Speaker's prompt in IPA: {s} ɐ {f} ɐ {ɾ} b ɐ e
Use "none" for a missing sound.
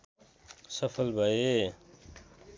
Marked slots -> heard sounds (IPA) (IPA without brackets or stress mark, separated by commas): s, f, l